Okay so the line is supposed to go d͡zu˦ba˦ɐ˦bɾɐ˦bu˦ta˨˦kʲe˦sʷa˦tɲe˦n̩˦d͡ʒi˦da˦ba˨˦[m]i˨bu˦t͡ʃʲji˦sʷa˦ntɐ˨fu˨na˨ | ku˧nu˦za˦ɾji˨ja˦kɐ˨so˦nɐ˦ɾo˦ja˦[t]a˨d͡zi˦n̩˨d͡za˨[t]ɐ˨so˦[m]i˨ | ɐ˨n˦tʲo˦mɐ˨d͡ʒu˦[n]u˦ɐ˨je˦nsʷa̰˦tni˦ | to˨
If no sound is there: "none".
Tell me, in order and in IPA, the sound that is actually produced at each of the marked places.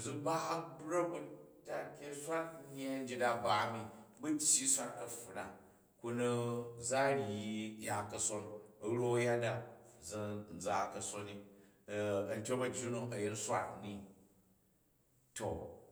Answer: m, d, k, n, n

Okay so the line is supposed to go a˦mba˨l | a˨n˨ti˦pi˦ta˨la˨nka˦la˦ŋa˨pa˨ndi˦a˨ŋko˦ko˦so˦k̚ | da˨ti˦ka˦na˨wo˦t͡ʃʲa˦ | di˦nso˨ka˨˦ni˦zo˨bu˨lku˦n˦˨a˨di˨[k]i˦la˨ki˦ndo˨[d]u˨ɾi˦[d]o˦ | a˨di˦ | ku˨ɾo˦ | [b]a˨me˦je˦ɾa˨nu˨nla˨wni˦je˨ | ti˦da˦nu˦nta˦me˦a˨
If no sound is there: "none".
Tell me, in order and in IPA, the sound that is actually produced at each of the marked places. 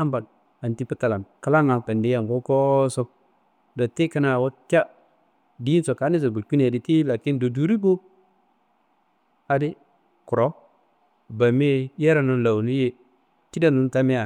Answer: t, d, b, b

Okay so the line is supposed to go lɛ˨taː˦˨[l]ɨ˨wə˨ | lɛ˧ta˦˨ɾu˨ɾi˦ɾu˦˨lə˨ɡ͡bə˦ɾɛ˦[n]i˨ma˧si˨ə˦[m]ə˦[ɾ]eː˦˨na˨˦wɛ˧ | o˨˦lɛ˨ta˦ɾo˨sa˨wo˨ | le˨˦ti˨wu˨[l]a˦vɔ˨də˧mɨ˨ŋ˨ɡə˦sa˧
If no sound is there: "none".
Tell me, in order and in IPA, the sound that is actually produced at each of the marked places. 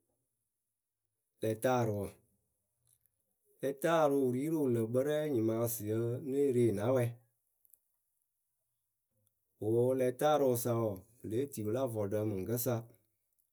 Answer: ɾ, ɲ, n, ɾ, l

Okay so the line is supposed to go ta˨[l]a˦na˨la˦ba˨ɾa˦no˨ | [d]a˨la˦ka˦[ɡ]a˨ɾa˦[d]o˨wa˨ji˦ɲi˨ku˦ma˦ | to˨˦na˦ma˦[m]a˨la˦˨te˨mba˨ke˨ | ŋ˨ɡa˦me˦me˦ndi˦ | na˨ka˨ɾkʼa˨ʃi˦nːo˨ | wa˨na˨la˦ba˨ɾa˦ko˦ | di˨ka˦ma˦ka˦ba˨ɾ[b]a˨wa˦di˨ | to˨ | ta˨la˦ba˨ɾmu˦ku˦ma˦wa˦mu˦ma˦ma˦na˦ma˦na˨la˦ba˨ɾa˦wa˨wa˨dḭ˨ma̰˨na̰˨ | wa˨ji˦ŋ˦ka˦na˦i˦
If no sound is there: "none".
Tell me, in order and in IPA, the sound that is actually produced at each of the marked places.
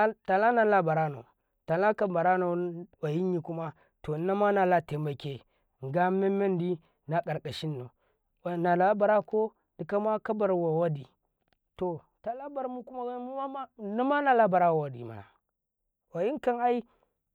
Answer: l, t, b, n, n, w

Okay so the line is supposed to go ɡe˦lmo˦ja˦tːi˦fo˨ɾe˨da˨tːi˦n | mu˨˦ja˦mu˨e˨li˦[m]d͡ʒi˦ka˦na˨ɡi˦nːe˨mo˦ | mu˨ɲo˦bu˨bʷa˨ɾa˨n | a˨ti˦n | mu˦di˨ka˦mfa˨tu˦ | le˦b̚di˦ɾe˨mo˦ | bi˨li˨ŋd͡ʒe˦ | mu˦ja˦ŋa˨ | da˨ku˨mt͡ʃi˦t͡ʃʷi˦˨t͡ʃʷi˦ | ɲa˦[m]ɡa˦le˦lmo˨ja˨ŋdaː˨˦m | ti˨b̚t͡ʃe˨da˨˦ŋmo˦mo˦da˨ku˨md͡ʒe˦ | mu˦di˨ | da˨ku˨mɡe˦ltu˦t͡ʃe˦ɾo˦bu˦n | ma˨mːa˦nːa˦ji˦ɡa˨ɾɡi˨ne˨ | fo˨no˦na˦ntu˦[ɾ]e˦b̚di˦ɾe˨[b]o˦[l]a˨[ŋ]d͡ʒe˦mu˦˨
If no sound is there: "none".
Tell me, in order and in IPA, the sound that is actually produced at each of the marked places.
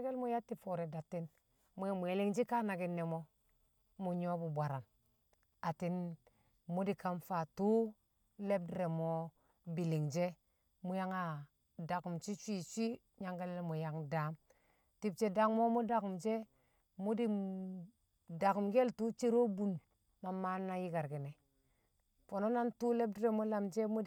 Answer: ŋ, ŋ, l, m, l, m

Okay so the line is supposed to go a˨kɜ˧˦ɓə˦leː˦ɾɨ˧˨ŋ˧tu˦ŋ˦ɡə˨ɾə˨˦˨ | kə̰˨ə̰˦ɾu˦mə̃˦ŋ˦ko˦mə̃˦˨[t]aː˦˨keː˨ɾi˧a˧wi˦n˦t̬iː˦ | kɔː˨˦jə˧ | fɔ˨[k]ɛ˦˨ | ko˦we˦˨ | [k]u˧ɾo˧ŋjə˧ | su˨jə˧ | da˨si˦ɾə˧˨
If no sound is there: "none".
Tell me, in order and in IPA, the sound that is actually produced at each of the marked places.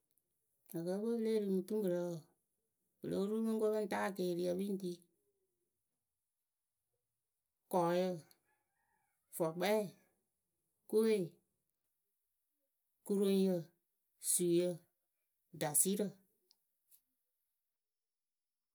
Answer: t, k͡p, k

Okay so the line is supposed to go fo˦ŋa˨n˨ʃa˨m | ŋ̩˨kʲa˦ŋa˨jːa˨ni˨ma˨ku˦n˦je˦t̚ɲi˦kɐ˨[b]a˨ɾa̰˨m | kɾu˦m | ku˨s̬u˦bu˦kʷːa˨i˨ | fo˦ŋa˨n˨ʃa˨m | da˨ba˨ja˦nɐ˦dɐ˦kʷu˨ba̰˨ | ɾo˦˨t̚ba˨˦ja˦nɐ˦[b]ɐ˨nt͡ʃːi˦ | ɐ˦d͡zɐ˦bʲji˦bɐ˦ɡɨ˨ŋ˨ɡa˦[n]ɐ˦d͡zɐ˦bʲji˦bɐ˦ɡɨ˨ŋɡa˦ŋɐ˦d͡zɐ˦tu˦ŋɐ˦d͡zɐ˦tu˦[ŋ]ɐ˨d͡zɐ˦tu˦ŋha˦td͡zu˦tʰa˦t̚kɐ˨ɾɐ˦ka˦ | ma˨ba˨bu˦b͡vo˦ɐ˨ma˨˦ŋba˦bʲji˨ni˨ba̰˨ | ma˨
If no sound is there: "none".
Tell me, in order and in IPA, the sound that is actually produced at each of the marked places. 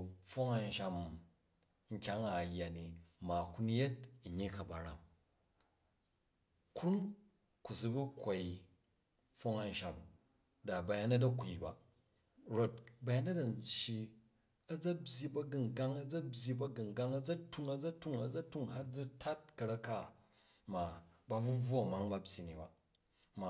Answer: b, d, ŋ, ŋ

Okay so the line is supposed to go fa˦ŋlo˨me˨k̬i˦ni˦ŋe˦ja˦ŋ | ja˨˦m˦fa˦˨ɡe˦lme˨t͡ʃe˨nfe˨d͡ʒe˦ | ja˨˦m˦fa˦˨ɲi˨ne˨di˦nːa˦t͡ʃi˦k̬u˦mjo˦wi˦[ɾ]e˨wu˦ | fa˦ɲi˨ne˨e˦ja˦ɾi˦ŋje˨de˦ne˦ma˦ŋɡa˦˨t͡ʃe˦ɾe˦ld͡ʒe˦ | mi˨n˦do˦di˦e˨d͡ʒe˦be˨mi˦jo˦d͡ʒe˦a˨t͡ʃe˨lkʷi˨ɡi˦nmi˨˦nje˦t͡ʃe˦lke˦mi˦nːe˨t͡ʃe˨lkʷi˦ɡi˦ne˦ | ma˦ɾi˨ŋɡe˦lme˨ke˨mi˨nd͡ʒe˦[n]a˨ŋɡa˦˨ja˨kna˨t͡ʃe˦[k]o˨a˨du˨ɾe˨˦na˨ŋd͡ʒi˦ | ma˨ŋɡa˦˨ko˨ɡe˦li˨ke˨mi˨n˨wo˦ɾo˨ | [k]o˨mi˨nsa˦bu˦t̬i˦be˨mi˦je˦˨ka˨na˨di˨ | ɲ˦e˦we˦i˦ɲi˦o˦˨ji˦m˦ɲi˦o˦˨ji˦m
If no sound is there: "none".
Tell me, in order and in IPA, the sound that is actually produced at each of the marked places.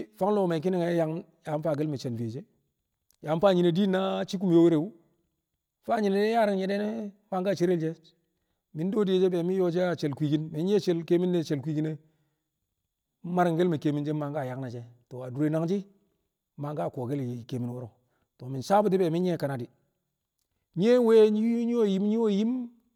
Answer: ɾ, m, t, t

